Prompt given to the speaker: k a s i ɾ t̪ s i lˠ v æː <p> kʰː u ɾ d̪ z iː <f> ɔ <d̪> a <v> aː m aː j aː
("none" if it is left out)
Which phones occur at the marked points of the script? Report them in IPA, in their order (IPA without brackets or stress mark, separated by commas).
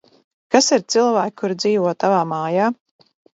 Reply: k, v, t̪, v